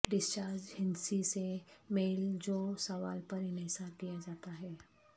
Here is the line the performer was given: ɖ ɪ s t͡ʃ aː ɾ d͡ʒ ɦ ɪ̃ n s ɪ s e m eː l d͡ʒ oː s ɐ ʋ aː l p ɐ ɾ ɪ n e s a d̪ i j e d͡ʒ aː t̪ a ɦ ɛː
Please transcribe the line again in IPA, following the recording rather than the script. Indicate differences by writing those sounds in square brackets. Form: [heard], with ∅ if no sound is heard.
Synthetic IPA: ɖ ɪ s t͡ʃ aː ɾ d͡ʒ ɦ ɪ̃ n s [i] s e m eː l d͡ʒ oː s ɐ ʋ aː l p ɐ ɾ ɪ n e s a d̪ i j [a] d͡ʒ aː t̪ a ɦ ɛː